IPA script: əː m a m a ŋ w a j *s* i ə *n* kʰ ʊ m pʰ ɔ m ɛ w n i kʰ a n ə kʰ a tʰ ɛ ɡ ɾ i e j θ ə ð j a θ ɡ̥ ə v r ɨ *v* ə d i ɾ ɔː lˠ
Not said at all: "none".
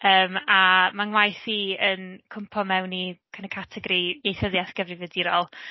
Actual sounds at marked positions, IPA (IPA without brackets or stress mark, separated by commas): θ, n, v